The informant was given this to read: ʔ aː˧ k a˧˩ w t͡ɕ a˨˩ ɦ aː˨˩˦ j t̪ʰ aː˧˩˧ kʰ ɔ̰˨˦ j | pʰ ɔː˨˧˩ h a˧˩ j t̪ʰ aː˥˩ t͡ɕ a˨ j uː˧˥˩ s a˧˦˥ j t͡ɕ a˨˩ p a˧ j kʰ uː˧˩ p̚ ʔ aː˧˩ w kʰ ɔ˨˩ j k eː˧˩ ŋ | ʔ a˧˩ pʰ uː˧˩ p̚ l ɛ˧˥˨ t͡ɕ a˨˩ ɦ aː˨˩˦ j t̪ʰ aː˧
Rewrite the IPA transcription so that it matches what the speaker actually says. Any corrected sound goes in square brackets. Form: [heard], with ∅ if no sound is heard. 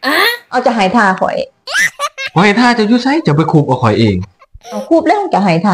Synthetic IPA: ʔ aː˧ [ʔ] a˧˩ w t͡ɕ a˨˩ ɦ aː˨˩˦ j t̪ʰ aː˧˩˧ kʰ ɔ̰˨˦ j | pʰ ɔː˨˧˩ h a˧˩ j t̪ʰ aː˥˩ t͡ɕ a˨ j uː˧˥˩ s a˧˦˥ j t͡ɕ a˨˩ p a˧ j kʰ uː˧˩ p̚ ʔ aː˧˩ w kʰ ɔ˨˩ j [ʔ] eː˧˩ ŋ | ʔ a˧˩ [kʰ] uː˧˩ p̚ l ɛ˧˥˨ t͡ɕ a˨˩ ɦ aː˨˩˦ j t̪ʰ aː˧